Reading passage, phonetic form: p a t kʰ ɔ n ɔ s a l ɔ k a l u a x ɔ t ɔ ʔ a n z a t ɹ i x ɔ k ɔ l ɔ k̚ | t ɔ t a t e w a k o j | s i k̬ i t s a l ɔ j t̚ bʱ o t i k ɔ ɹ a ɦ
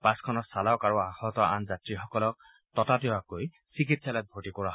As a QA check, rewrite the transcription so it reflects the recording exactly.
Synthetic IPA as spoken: p a s kʰ ɔ n ɔ s a l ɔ k a ɹ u a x ɔ t ɔ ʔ a n z a t ɹ i x ɔ k ɔ l ɔ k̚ | t ɔ t a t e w a k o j | s i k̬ i t s a l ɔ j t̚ bʱ o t i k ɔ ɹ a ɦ